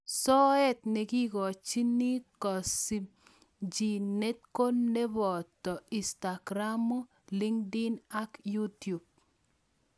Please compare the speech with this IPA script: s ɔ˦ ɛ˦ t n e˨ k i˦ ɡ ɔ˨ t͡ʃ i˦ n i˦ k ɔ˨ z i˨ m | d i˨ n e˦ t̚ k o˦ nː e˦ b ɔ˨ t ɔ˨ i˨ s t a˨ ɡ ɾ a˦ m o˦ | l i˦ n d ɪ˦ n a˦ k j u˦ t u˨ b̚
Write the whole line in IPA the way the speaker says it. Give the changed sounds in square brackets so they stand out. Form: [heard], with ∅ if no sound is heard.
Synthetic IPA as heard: s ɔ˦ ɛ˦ t n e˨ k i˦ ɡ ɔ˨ t͡ʃ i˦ n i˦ k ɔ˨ [s] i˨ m | [d͡ʒ] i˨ n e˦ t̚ k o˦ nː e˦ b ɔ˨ t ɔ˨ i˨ s t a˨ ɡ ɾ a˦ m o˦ | l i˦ [ŋ] d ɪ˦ n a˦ k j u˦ t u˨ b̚

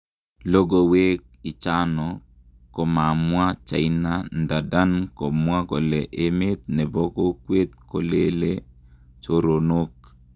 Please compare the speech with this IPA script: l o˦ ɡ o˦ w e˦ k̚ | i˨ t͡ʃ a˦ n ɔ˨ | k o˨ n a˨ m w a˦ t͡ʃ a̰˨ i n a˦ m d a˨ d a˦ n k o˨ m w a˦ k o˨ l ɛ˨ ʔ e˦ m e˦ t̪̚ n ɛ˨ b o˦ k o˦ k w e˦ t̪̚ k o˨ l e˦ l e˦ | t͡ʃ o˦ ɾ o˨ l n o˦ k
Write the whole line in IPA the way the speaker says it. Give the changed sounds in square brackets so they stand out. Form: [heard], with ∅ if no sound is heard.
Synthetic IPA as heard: l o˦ ɡ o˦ w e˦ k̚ | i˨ t͡ʃ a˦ n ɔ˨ | k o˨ [m] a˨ m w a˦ t͡ʃ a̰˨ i n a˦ [n] d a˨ d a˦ n k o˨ m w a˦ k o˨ l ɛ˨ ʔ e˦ m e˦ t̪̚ n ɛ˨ b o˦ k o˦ k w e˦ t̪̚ k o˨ l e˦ l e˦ | t͡ʃ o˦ ɾ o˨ [∅] n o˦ k

